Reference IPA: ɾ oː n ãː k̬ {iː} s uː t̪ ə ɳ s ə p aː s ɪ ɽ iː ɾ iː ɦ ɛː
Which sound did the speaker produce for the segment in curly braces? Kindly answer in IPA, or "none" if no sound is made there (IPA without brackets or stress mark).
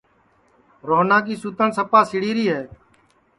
iː